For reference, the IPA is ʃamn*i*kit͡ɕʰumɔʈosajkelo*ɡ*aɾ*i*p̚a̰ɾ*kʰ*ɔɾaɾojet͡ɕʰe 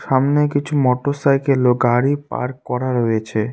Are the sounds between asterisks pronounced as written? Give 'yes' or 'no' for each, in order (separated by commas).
no, yes, yes, no